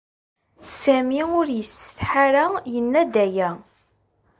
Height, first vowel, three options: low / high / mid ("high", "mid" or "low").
low